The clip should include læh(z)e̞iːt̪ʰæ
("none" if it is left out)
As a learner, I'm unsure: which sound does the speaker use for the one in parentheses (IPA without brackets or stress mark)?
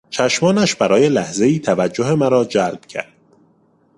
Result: z